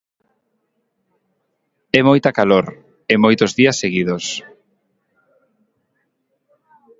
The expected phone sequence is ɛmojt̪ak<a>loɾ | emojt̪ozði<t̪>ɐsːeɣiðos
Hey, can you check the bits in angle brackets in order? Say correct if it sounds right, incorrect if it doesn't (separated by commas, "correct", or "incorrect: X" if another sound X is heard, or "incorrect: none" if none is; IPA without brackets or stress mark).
correct, incorrect: none